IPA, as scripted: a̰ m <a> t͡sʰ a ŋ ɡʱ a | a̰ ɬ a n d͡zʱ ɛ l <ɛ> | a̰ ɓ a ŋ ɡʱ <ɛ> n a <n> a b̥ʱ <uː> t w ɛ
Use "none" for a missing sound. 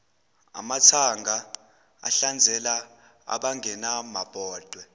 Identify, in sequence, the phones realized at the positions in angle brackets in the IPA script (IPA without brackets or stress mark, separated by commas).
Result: a, a, ɛ, m, ɔː